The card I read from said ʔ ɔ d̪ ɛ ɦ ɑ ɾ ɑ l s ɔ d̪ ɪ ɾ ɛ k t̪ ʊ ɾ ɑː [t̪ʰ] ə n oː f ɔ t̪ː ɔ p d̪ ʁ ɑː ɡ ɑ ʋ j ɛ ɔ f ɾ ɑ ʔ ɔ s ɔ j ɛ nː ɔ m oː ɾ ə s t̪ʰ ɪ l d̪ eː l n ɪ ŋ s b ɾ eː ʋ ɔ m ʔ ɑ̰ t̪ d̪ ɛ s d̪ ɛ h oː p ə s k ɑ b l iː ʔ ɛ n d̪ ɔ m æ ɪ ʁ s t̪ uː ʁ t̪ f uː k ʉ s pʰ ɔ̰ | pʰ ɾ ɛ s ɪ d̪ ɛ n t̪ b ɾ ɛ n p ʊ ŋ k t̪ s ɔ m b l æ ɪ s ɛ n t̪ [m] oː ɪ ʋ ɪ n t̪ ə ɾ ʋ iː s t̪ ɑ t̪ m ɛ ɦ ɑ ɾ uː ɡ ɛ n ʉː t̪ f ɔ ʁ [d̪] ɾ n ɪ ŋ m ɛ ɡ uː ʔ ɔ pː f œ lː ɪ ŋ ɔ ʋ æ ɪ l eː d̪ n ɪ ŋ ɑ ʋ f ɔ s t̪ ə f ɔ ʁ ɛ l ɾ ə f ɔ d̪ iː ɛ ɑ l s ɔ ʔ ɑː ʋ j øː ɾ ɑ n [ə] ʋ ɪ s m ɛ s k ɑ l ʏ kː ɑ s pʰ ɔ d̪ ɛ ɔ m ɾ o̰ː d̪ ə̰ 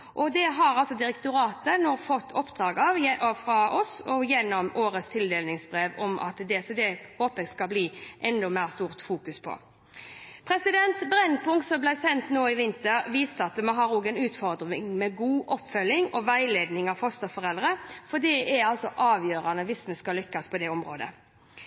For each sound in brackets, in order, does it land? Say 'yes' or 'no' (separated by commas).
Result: no, no, yes, yes